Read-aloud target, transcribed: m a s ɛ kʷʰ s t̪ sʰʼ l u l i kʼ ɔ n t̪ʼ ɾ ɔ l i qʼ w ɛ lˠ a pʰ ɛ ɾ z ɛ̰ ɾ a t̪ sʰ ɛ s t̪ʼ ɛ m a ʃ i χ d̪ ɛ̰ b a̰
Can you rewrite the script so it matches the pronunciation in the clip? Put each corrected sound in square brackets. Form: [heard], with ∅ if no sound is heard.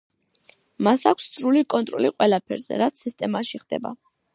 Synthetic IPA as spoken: m a s [a] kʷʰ s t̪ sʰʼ [ɾ] u l i kʼ ɔ n t̪ʼ ɾ ɔ l i qʼ w ɛ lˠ a pʰ ɛ ɾ z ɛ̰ ɾ a t̪ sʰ [i] s t̪ʼ ɛ m a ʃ i χ d̪ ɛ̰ b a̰